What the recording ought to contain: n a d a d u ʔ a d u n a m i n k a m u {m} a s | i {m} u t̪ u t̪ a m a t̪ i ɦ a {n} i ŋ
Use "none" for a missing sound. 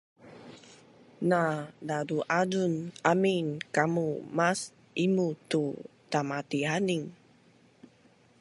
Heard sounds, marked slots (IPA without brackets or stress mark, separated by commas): m, m, n